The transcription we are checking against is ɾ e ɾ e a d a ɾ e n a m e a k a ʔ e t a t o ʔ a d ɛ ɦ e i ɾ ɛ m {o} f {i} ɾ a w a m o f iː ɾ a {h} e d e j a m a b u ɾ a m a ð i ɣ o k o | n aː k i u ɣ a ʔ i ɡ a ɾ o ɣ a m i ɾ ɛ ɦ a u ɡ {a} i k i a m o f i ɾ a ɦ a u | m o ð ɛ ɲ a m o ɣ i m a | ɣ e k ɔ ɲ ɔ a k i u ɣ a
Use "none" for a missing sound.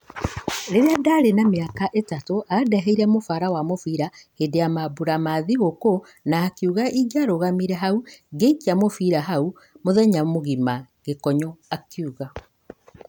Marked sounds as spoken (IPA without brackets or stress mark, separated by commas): o, a, h, e